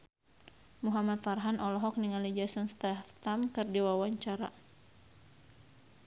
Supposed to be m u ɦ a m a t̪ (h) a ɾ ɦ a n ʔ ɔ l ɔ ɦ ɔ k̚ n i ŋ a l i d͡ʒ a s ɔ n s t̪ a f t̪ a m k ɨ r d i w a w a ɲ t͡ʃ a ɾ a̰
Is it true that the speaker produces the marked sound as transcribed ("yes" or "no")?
no